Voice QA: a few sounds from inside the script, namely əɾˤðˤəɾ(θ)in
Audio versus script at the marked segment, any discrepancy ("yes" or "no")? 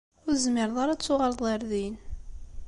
yes